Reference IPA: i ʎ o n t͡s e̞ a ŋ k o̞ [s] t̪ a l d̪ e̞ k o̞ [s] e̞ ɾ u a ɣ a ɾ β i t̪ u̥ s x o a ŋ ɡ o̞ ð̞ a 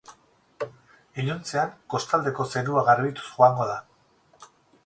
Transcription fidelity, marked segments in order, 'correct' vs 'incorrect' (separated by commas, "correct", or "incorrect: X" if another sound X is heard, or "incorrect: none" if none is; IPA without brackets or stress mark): correct, correct